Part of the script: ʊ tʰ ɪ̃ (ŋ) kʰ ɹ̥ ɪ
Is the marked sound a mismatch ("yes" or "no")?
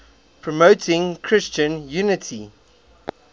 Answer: no